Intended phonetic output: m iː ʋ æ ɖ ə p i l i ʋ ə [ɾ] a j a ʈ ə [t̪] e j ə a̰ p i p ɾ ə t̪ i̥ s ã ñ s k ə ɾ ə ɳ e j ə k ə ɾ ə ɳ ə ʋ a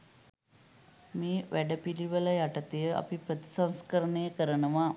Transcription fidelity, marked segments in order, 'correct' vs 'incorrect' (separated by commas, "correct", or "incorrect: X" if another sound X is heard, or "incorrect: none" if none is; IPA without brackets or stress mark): incorrect: l, correct